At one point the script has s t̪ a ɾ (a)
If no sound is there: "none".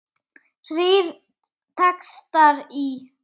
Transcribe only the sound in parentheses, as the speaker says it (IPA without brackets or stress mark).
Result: i